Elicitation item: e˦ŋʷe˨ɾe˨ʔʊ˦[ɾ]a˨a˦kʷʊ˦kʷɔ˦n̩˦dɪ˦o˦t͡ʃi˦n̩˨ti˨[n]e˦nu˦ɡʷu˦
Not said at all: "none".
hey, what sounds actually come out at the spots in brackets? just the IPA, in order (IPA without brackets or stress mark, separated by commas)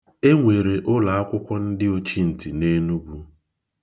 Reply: l, n